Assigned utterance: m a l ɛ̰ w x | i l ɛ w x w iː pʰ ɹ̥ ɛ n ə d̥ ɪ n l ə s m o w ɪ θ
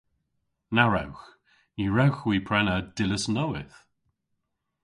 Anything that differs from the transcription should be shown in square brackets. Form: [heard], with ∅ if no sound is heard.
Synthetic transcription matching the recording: [n] a [ɹ] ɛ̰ w x | i [ɹ] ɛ w x w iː pʰ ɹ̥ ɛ n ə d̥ ɪ [∅] l ə s [n] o w ɪ θ